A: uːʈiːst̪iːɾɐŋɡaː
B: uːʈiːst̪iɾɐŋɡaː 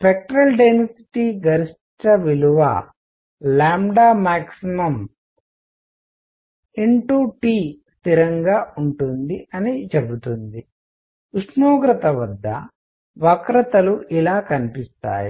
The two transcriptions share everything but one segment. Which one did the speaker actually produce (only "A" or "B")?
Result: B